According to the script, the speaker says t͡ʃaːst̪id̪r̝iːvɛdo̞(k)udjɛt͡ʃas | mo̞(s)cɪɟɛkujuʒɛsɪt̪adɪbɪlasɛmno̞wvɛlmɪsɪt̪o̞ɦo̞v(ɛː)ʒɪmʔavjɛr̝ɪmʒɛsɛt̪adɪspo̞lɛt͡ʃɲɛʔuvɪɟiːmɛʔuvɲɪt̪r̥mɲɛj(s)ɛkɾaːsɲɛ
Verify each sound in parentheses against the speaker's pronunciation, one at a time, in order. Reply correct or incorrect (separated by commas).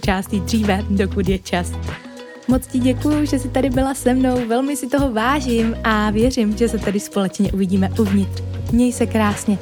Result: correct, incorrect, incorrect, correct